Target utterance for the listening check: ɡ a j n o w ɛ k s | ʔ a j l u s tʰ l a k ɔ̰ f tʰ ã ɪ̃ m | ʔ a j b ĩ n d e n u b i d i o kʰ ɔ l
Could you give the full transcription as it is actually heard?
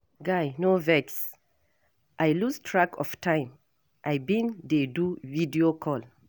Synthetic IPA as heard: ɡ a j n o v ɛ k s | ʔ a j l u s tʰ ɹ a k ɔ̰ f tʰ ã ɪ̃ m | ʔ a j b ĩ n d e d u v i d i o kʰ ɔ l